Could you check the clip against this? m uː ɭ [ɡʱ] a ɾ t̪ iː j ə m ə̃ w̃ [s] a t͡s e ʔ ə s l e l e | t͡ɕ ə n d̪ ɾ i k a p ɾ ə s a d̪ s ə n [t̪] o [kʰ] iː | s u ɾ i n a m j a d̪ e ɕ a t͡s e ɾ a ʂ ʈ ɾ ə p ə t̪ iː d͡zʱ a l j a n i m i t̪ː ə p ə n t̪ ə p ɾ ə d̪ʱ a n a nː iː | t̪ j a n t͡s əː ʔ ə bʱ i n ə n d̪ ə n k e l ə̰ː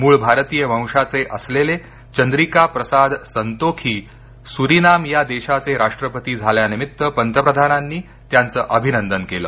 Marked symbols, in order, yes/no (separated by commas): no, no, yes, yes